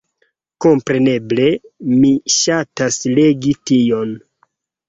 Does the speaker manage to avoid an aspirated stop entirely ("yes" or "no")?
yes